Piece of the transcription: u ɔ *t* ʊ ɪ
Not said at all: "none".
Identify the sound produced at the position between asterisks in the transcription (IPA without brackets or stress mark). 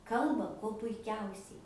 p